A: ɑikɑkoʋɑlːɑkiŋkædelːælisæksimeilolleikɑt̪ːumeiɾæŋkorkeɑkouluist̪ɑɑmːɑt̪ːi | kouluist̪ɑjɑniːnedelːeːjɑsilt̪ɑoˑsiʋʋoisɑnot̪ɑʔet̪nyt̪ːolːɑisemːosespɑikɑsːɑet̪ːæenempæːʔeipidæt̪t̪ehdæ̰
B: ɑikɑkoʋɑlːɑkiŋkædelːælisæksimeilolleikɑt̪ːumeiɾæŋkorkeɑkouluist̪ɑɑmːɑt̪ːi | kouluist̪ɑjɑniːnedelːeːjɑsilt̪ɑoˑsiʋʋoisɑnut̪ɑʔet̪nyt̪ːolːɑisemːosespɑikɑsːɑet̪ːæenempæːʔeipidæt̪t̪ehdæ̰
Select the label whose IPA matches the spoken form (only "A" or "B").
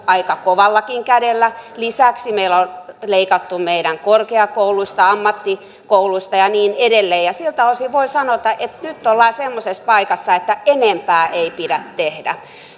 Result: A